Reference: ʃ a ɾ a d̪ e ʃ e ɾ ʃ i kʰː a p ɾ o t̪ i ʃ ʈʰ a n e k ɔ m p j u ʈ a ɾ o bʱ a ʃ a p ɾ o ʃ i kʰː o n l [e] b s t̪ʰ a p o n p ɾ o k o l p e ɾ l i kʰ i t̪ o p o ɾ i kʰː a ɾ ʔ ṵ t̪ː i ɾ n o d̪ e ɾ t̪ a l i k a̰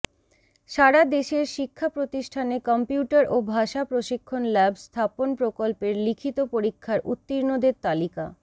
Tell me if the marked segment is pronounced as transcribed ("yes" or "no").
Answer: no